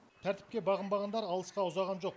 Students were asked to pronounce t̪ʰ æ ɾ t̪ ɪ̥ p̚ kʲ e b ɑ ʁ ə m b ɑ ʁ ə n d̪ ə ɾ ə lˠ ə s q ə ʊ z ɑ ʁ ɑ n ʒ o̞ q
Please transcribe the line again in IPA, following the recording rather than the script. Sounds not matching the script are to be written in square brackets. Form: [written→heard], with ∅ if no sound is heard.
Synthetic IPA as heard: t̪ʰ æ ɾ t̪ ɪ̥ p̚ kʲ e b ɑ ʁ ə m b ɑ ʁ [ə→ɑ] n d̪ [ə→ɑ] ɾ [ə→ɑ] lˠ ə s q [ə→ɑ] ʊ z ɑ ʁ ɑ n ʒ o̞ q